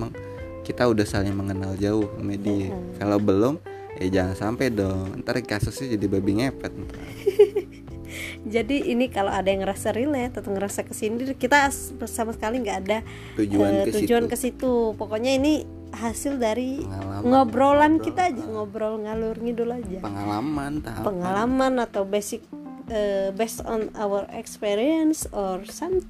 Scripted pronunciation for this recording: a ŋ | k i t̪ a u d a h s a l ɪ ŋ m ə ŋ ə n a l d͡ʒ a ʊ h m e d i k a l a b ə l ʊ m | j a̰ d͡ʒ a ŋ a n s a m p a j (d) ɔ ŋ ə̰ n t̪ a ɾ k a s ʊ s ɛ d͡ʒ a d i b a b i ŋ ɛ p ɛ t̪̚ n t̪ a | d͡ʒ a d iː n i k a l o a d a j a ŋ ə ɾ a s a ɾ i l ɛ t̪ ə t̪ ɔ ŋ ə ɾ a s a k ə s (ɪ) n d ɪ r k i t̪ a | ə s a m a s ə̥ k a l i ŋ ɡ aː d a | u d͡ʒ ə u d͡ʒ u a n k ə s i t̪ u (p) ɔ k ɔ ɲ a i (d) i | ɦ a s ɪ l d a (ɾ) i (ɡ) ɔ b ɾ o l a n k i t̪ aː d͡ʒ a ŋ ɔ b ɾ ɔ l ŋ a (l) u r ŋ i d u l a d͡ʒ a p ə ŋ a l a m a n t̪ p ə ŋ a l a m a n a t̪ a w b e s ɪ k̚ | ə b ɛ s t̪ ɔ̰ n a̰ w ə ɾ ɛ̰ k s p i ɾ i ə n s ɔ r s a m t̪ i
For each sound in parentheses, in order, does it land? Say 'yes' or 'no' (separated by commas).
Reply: yes, no, yes, no, yes, no, yes